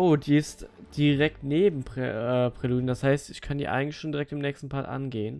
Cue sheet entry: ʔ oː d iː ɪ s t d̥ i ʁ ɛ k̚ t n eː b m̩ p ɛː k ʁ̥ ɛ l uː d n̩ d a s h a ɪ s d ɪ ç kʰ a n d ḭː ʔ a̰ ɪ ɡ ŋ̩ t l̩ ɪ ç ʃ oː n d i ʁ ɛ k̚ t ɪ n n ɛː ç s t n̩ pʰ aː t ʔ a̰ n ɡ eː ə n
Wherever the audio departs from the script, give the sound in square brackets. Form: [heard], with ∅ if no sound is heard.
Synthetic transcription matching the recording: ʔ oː d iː ɪ s t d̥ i ʁ ɛ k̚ t n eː b m̩ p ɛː [p] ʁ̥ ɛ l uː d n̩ d a s h a ɪ s [t] ɪ ç kʰ a n d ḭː ʔ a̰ ɪ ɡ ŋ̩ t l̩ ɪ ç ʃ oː n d i ʁ ɛ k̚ t ɪ [m] n ɛː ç s t n̩ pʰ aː t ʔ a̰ n ɡ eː ə n